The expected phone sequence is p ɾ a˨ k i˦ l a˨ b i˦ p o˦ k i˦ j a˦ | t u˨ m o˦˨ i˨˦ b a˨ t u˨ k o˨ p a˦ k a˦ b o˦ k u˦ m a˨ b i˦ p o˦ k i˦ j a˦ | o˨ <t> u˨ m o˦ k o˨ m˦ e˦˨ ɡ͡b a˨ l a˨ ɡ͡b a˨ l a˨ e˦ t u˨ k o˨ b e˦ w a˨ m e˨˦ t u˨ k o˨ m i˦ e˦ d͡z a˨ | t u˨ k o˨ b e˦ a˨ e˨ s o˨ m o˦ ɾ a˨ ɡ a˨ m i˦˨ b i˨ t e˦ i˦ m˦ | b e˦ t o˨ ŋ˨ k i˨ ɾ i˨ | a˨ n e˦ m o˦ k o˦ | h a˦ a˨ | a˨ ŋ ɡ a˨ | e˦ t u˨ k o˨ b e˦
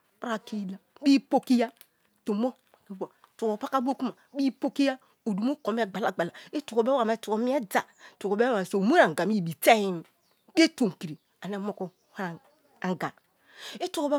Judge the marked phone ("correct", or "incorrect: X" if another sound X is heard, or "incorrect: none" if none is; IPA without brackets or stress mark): incorrect: d